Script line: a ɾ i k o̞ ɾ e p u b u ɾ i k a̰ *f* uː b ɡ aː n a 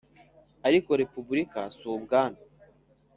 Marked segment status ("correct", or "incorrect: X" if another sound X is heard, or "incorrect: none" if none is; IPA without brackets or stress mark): incorrect: s